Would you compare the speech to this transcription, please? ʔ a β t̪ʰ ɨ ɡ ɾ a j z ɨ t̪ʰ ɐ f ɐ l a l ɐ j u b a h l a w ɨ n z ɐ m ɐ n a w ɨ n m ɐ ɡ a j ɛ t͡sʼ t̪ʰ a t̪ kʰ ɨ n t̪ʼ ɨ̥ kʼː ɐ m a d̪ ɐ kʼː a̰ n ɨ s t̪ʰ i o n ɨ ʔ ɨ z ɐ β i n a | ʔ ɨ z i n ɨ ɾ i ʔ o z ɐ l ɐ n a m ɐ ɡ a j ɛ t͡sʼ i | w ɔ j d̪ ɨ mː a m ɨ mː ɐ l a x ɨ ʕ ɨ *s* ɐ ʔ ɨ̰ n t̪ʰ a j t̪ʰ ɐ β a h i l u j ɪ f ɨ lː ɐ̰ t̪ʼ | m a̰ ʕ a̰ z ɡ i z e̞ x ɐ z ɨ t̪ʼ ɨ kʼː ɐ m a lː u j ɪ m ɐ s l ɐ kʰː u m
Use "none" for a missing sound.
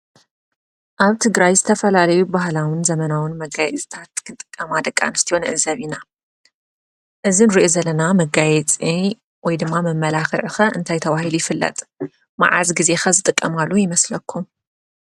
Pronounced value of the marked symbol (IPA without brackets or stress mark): x